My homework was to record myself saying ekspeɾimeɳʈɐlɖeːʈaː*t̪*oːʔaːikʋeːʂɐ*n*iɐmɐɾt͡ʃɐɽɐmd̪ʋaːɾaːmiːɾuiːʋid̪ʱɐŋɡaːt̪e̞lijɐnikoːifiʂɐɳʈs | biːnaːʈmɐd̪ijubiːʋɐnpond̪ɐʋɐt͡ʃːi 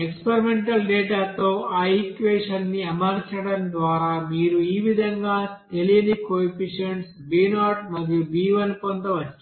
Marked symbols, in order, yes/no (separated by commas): yes, no